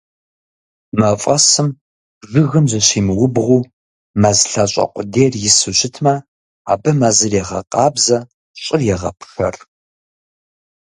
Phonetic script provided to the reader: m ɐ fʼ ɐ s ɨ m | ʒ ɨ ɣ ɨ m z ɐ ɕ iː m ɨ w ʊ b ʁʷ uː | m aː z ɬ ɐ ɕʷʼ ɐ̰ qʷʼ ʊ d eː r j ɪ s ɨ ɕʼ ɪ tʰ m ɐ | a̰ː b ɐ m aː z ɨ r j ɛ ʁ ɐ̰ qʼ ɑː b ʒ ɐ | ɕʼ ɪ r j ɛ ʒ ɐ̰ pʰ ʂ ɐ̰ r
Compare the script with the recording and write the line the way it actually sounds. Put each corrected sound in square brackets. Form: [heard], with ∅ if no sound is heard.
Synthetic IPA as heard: m ɐ fʼ ɐ s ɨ m | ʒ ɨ ɣ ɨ m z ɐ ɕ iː m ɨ w ʊ b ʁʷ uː | m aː z ɬ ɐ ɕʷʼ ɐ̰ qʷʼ ʊ d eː r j ɪ s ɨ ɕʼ ɪ tʰ m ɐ | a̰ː b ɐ m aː z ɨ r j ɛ ʁ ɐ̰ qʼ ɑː b [z] ɐ | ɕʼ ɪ r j ɛ [ʁ] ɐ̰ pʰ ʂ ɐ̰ r